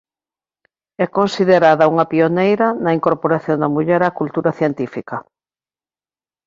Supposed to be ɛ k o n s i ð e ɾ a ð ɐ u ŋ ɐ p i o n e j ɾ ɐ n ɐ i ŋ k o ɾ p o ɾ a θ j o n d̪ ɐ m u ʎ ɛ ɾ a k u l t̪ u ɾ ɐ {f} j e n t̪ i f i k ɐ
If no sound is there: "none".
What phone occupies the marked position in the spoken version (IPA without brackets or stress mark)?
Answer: θ